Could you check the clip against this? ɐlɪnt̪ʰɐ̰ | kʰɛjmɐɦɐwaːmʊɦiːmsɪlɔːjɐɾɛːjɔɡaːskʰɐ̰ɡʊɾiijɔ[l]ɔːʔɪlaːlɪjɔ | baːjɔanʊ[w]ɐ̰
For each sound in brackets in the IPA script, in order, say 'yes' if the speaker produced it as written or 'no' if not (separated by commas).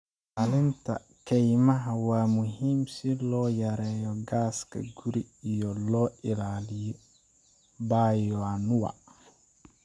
yes, yes